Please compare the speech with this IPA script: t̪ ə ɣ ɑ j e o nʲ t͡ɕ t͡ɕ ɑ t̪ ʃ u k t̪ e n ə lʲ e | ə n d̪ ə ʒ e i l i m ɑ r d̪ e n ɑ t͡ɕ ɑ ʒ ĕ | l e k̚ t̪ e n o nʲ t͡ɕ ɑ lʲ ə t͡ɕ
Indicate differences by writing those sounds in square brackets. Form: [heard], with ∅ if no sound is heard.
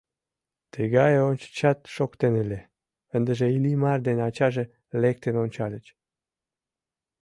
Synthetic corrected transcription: t̪ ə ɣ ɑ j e o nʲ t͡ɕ t͡ɕ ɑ t̪ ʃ [o] k t̪ e n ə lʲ e | ə n d̪ ə ʒ e i l i m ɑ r d̪ e n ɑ t͡ɕ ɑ ʒ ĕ | l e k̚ t̪ e n o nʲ t͡ɕ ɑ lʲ ə t͡ɕ